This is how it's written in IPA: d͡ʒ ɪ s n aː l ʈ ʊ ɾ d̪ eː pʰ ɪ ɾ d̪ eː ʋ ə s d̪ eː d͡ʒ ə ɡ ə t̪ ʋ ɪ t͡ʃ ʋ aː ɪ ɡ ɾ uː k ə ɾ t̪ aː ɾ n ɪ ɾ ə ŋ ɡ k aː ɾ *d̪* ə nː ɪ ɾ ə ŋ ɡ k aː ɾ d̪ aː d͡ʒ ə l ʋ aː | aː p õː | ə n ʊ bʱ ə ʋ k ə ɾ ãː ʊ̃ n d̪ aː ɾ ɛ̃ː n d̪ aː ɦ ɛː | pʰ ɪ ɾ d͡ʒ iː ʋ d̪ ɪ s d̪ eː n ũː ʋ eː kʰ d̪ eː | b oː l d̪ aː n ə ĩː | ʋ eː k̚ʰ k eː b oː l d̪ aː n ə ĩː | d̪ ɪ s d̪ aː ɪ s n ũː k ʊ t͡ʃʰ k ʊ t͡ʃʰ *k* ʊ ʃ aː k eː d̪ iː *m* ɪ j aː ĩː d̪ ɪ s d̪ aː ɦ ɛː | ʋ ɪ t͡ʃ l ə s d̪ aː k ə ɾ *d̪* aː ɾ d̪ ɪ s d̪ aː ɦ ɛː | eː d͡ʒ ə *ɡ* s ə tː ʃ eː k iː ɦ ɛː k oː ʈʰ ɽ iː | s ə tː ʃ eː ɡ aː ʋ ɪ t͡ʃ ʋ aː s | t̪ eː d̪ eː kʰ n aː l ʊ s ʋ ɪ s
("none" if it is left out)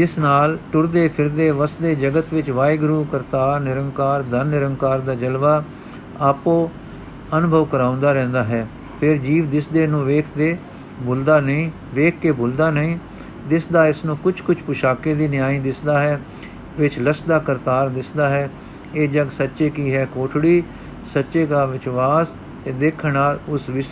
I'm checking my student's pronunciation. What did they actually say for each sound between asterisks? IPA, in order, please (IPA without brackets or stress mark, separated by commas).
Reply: d̪, p, n, t̪, ɡ